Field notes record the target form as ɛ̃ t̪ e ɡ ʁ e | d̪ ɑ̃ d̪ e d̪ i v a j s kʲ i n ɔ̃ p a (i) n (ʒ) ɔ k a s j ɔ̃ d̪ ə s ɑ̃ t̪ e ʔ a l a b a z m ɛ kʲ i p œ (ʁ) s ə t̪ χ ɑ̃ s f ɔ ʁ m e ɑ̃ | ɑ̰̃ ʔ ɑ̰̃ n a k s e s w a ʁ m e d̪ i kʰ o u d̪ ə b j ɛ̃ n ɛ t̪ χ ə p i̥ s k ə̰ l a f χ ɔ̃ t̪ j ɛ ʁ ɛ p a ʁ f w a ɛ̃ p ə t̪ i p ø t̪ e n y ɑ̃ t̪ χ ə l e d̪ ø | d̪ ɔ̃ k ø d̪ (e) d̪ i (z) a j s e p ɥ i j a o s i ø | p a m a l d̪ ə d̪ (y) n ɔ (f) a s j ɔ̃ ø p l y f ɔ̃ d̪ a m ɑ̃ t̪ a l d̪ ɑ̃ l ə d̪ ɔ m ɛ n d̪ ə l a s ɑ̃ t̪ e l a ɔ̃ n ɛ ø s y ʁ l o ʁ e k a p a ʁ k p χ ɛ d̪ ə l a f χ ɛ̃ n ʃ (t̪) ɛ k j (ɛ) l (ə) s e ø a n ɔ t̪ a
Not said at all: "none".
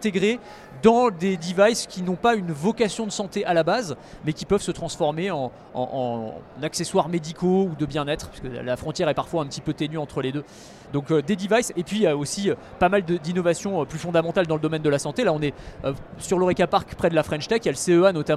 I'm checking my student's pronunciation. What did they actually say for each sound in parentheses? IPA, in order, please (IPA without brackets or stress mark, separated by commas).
y, v, v, e, v, i, v, t̪, a, ə